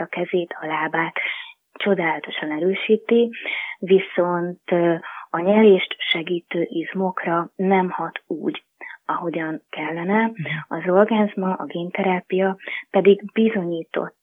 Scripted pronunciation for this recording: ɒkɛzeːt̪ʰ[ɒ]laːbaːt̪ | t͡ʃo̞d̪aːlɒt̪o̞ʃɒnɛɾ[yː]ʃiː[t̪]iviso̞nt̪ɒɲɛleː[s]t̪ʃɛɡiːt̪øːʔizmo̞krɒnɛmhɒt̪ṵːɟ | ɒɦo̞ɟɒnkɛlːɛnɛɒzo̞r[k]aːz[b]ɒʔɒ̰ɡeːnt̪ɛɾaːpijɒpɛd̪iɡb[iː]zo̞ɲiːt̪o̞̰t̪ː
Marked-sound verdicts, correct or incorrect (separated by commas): correct, incorrect, correct, incorrect, incorrect, incorrect, incorrect